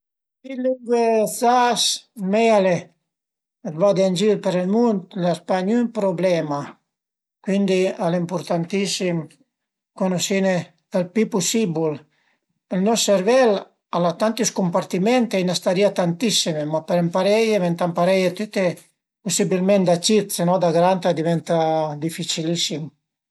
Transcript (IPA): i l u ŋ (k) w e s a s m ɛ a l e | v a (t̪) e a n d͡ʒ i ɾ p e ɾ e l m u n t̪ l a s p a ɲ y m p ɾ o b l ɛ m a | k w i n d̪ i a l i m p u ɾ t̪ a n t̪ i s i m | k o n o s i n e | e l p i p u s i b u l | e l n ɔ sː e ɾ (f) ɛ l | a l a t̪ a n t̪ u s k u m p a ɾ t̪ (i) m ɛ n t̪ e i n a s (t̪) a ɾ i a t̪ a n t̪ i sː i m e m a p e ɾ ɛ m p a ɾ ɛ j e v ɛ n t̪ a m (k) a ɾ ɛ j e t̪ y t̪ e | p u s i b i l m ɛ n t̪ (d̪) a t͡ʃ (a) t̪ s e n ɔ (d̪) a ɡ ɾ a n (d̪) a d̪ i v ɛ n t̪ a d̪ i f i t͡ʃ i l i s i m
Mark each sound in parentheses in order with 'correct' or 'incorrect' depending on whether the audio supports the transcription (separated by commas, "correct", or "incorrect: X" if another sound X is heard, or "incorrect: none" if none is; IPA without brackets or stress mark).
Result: incorrect: ɡ, incorrect: d̪, incorrect: v, correct, correct, incorrect: p, correct, incorrect: i, correct, incorrect: t̪